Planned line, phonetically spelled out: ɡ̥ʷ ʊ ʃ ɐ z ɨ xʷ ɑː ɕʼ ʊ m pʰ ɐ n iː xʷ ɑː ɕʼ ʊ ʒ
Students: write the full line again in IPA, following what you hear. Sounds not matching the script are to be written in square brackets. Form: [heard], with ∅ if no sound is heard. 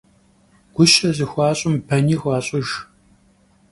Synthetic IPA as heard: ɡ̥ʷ ʊ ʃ ɐ z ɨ xʷ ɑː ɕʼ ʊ m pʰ ɐ n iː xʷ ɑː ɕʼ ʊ ʒ